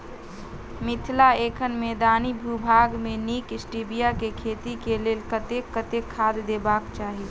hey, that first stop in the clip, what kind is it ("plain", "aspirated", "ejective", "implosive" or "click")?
aspirated